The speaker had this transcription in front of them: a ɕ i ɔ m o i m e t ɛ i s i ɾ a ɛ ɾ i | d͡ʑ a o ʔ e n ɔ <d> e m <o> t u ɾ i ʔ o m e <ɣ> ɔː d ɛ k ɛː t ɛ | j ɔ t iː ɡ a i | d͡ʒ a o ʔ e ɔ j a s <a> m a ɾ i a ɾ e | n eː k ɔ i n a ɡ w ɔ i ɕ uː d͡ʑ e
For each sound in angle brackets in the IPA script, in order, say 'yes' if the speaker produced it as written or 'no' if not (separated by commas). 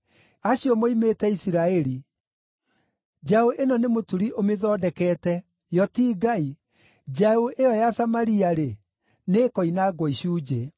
no, yes, no, yes